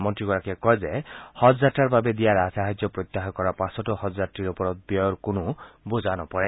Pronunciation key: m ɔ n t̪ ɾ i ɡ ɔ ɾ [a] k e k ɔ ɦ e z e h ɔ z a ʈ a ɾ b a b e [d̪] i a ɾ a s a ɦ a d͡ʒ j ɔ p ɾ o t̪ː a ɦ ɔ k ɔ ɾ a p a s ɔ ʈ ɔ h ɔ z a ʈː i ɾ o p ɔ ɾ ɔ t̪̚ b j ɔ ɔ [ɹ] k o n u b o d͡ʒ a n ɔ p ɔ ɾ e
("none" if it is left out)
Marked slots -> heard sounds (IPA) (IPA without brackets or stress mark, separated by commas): a, d̪, ɾ